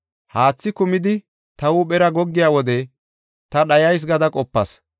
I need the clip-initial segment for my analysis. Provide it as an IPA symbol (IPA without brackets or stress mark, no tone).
h